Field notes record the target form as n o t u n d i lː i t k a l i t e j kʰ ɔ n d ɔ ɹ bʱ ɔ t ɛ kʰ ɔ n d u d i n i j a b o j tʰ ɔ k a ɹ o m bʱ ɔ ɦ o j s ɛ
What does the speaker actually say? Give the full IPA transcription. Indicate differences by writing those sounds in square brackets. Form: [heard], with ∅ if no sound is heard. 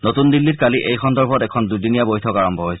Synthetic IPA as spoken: n o t u n d i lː i t k a l i [ʔ] e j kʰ ɔ n d ɔ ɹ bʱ ɔ t ɛ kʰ ɔ n d u d i n i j a b o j tʰ ɔ k a ɹ [ɔ] m bʱ ɔ ɦ o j s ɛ